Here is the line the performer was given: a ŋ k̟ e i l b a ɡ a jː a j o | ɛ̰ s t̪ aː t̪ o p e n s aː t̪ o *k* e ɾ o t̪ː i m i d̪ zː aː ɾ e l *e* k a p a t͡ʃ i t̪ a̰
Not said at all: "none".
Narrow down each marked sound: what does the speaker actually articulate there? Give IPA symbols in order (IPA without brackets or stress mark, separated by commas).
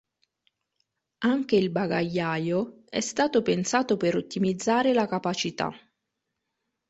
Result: p, a